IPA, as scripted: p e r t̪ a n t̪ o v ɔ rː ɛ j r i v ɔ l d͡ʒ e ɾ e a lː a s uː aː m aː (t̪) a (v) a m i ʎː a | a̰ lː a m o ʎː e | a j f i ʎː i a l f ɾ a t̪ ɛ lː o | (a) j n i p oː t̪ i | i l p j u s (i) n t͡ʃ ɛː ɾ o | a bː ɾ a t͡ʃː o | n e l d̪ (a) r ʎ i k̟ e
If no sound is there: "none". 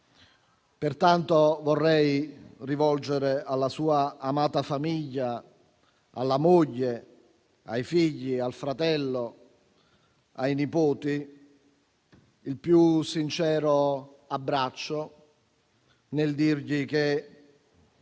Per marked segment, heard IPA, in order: t̪, f, a, i, i

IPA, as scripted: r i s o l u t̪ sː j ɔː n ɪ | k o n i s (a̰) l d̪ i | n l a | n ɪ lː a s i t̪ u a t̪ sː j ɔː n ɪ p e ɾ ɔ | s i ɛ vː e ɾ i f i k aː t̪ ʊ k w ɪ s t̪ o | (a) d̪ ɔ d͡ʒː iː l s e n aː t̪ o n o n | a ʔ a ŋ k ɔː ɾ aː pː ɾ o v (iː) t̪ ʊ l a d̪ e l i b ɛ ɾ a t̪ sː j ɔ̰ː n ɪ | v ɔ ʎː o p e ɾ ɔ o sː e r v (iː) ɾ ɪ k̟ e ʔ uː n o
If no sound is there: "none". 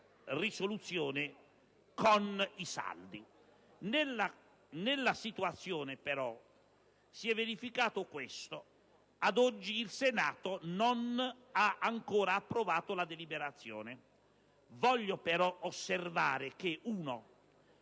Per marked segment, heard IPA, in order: a̰, a, aː, aː

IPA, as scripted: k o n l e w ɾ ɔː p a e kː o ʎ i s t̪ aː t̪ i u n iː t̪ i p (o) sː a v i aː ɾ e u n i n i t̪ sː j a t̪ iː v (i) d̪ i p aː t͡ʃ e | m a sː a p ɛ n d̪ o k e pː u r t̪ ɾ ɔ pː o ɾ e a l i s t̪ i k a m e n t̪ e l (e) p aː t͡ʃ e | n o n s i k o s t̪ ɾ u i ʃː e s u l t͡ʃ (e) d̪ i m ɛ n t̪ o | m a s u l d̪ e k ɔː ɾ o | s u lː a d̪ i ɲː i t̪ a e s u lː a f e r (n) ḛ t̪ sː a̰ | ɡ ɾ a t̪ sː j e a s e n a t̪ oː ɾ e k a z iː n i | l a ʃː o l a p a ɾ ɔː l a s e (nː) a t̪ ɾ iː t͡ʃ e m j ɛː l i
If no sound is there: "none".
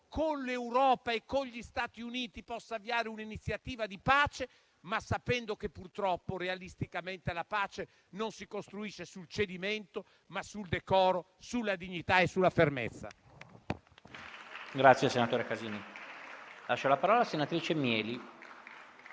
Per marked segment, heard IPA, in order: ɔ, a, a, e, m, n

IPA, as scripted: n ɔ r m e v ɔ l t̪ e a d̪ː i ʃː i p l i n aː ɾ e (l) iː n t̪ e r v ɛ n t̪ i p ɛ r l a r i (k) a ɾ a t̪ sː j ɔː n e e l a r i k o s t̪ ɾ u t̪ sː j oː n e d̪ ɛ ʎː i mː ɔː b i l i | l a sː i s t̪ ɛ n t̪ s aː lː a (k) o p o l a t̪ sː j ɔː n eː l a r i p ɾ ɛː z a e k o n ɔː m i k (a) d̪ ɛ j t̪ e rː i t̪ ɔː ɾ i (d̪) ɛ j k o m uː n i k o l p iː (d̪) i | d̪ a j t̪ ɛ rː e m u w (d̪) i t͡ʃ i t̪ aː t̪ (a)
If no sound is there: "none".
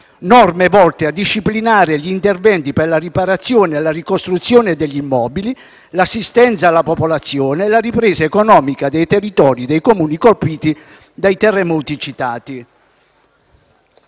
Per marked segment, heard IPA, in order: ʎ, p, p, a, d̪, t̪, t̪, i

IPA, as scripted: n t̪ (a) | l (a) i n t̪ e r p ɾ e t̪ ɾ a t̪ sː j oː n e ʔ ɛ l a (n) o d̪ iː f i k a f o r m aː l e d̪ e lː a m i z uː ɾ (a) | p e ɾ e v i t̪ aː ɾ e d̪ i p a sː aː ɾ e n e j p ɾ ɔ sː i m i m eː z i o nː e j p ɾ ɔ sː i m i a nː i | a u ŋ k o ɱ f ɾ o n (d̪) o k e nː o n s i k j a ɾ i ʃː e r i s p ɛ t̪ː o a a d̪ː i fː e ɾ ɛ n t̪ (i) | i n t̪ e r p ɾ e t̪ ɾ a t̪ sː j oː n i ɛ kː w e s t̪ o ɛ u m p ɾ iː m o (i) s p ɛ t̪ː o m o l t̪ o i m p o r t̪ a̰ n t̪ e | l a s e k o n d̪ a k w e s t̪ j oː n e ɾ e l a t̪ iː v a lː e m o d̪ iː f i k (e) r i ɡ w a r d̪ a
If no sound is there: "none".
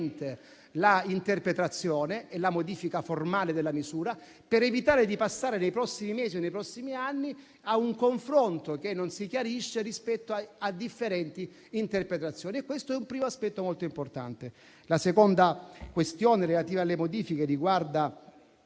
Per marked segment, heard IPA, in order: e, a, m, a, t̪, i, a, e

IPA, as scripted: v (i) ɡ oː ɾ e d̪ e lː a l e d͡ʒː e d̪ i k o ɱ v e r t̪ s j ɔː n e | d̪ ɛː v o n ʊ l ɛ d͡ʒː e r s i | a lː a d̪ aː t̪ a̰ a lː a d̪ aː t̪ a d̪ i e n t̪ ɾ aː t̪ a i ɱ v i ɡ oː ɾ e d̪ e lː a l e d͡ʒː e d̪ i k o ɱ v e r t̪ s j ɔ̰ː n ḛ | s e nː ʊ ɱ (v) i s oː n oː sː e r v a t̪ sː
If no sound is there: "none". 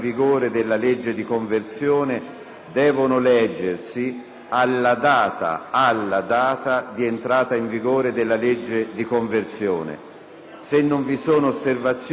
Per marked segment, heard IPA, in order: i, v

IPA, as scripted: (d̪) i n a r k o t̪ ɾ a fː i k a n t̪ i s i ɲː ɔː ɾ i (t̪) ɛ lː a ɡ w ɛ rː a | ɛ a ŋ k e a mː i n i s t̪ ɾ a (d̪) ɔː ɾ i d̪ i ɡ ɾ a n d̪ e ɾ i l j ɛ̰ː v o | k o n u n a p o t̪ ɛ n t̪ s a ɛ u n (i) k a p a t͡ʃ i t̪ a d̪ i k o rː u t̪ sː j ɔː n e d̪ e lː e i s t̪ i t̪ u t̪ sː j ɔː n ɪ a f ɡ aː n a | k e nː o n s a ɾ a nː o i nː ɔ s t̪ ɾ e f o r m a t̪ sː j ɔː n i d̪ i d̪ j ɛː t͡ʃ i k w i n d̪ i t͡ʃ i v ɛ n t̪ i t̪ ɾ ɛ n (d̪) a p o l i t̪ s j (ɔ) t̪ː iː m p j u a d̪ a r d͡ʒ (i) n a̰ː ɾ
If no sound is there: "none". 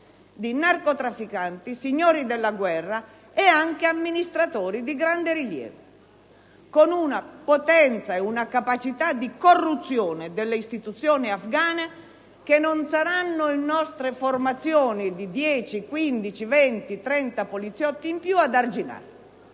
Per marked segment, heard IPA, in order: d̪, d̪, t̪, a, t̪, ɔ, i

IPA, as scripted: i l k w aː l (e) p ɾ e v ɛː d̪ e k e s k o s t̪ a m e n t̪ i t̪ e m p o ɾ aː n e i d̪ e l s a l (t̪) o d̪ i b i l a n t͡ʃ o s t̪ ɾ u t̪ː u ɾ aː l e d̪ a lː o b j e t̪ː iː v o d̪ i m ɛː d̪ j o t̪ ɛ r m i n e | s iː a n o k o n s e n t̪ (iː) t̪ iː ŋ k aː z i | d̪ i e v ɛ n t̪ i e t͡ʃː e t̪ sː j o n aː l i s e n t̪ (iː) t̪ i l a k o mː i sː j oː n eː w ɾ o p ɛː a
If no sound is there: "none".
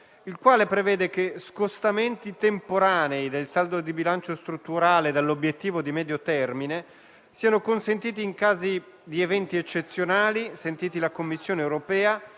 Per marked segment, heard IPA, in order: e, d̪, iː, iː

